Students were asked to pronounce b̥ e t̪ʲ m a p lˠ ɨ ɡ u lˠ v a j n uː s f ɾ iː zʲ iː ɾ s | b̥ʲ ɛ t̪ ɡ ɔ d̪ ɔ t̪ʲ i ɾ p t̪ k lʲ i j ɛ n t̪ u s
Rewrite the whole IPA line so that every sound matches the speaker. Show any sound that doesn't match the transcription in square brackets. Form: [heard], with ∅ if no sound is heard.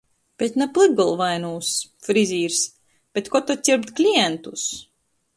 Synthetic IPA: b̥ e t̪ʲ [n] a p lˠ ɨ ɡ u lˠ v a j n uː s f ɾ [i] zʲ iː ɾ s | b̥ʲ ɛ t̪ [k] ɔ [t̪] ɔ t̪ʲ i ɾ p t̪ k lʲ i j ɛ n t̪ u s